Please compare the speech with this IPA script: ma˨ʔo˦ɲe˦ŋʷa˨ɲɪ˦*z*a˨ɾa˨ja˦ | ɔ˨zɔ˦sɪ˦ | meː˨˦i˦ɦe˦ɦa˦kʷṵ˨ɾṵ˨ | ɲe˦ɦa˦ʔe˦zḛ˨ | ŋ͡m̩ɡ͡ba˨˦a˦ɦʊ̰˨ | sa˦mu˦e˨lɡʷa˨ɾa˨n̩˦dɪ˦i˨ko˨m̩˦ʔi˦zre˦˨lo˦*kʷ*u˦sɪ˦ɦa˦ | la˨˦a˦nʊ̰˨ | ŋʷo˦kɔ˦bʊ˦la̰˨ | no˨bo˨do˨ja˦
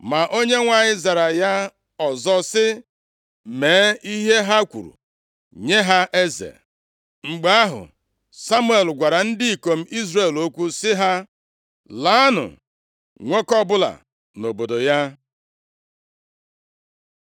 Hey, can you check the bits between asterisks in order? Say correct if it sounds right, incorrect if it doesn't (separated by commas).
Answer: correct, correct